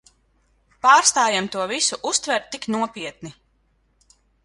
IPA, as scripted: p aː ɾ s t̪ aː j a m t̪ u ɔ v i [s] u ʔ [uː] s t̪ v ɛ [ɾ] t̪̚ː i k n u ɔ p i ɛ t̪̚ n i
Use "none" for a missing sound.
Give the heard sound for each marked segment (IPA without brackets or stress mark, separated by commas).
s, u, ɾ